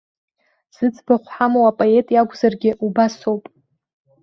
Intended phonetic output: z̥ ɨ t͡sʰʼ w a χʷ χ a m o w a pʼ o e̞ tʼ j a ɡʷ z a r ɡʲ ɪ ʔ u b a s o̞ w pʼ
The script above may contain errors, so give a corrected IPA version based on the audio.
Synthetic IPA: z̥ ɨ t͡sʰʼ b a χʷ ħ a m o w a pʼ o e̞ tʼ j a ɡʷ z a r ɡʲ ɪ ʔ u b a s o̞ w pʼ